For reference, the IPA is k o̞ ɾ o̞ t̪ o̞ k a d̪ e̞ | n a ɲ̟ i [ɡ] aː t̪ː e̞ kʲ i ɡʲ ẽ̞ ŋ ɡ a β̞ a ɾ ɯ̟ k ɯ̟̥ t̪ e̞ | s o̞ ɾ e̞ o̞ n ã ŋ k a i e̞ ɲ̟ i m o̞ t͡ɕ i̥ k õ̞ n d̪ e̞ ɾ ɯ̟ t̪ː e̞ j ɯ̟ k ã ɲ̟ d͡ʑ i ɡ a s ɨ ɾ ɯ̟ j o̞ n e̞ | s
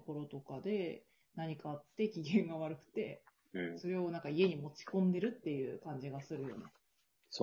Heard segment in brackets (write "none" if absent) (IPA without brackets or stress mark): k